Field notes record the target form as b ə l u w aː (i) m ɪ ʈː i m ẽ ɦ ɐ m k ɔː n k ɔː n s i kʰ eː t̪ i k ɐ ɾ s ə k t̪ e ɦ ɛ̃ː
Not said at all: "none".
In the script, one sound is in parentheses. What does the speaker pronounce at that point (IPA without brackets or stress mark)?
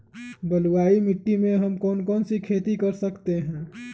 i